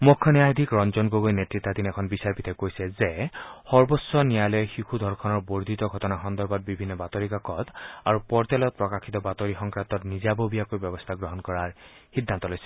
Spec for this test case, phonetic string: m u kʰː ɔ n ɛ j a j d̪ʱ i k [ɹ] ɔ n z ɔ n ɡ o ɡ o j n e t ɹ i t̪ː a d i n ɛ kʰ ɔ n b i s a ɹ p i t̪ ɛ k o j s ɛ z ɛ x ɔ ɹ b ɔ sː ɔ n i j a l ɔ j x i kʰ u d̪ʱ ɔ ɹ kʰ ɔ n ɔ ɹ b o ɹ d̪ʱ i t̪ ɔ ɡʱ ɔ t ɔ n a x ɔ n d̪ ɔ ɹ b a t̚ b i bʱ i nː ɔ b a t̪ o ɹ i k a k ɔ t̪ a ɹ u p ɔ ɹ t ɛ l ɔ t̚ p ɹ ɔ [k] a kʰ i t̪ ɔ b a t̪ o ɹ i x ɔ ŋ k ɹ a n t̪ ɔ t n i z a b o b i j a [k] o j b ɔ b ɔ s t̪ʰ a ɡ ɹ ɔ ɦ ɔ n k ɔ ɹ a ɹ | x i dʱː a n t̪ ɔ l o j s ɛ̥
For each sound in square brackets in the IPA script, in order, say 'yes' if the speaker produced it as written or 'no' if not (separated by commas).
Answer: yes, yes, yes